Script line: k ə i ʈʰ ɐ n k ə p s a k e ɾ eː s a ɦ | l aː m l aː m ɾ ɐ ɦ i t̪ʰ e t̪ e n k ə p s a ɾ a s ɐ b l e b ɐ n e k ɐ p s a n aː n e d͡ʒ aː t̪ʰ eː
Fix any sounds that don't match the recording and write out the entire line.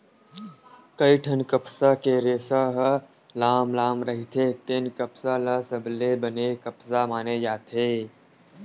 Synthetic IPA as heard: k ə i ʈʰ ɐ n k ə p s a k e ɾ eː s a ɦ | l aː m l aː m ɾ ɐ ɦ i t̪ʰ e t̪ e n k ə p s a l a s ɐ b l e b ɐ n e k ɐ p s a m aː n e d͡ʒ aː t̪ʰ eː